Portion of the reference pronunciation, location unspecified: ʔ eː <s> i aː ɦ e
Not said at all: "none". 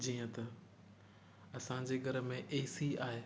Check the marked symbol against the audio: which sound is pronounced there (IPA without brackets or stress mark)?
s